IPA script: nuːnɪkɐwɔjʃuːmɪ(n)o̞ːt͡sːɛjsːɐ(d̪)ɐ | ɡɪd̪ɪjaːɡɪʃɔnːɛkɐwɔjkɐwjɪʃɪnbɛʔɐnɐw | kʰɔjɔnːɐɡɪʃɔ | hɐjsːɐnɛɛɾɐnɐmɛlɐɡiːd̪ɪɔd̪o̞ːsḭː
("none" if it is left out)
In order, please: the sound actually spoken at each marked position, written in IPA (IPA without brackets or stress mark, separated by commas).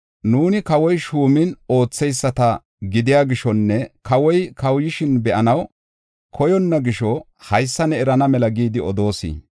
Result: n, t̪